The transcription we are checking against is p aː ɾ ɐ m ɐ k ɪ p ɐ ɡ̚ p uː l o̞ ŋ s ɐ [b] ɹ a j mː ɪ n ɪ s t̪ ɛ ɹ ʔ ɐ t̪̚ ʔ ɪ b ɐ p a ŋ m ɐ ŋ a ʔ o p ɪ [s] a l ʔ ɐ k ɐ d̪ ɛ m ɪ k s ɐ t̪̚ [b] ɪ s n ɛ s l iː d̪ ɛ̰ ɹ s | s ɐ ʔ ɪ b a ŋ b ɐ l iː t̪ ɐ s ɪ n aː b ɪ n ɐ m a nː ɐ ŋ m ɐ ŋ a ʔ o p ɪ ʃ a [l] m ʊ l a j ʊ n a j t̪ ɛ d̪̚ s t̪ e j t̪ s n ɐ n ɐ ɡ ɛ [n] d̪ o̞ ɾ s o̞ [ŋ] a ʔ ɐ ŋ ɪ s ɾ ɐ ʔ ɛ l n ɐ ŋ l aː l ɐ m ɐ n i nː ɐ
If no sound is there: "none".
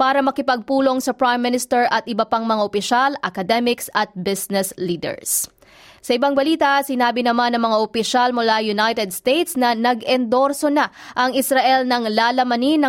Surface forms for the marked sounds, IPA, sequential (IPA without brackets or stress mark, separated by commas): p, ʃ, b, l, n, n